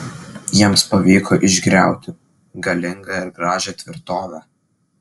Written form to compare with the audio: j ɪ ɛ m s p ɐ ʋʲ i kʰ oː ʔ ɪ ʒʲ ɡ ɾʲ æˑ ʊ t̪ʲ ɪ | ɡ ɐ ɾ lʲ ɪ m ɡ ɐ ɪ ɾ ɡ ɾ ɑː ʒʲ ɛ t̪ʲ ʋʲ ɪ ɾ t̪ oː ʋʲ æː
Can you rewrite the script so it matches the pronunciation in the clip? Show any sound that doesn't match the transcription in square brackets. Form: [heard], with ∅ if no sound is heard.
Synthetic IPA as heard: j [i] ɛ m s p ɐ ʋʲ [iː] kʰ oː ʔ ɪ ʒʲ ɡ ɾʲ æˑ ʊ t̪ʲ ɪ | ɡ ɐ [∅] lʲ ɪ [ŋ] ɡ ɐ ɪ ɾ ɡ ɾ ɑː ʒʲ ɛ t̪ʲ ʋʲ ɪ ɾ t̪ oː ʋʲ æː